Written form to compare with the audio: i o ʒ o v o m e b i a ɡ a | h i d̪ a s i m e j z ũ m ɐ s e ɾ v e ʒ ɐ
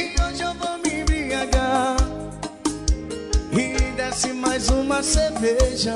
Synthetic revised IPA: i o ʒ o v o m i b i a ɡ a | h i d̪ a s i m a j z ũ m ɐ s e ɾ v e ʒ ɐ